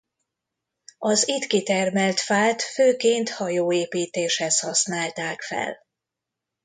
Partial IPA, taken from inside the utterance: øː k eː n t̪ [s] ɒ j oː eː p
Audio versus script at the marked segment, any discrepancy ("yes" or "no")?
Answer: yes